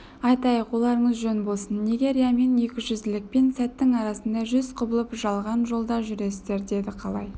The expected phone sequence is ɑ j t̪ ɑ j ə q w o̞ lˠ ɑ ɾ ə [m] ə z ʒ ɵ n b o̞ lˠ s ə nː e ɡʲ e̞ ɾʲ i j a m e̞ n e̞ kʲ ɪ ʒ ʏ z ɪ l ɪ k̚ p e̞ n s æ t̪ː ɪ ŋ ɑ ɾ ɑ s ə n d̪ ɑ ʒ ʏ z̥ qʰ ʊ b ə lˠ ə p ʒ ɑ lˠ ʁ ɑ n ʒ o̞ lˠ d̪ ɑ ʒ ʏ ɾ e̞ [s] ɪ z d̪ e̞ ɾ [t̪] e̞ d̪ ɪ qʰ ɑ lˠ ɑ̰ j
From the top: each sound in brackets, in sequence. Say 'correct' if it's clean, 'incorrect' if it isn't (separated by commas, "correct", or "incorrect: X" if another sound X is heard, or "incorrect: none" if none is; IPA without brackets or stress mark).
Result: incorrect: ɴ, correct, incorrect: d̪